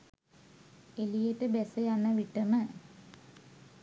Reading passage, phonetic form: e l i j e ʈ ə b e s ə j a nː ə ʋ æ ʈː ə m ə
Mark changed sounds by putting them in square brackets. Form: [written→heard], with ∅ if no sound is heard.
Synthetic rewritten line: e l i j e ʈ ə b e s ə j a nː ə ʋ [æ→i] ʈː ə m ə